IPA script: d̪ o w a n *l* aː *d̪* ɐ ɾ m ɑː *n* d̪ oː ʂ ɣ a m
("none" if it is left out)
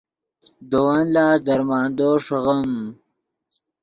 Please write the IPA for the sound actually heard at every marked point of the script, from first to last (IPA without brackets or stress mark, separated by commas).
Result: l, d̪, n